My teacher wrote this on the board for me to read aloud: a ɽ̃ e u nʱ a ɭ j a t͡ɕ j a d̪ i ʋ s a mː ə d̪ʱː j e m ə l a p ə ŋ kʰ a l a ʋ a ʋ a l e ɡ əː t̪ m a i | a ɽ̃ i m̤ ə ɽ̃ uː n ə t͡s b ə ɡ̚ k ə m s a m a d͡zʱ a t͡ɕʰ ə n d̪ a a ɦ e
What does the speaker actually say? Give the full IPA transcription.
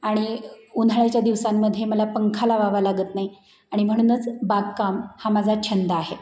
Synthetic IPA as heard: a ɽ̃ i u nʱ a ɭ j a t͡ɕ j a d̪ i ʋ s a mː ə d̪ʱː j e m ə l a p ə ŋ kʰ a l a ʋ a ʋ a l a ɡ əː t̪ n a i | a ɽ̃ i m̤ ə ɽ̃ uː n ə t͡s b a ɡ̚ k a m h a m a d͡zʱ a t͡ɕʰ ə n d̪ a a ɦ e